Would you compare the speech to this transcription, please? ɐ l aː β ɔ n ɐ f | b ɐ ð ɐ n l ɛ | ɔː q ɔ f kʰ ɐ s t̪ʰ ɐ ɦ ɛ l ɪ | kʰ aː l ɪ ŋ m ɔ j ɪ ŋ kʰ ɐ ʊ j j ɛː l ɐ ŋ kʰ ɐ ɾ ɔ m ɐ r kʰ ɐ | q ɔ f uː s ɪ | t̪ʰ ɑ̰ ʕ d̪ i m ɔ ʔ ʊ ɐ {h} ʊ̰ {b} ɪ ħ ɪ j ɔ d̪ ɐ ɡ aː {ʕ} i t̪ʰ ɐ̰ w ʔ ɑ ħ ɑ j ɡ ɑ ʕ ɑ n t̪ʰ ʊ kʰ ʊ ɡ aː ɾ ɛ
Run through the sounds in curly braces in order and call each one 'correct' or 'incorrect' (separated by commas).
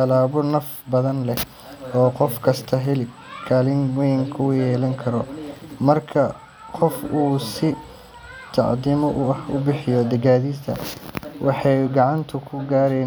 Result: correct, correct, incorrect